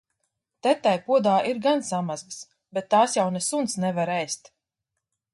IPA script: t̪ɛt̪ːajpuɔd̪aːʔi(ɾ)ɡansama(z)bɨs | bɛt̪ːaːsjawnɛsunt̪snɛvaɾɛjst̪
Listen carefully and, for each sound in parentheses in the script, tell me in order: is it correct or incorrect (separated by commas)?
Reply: correct, correct